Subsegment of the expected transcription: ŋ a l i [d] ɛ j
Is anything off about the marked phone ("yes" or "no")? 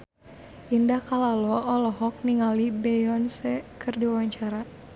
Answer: yes